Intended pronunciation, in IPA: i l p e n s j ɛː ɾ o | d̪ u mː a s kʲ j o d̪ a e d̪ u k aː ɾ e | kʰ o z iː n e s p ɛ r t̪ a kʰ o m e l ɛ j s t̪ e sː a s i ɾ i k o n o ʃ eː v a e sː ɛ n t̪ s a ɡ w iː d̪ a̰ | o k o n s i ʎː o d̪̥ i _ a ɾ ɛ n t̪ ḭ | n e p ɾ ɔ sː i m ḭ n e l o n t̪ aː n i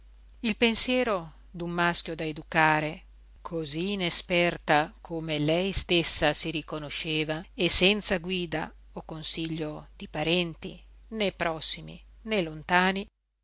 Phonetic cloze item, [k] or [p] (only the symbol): p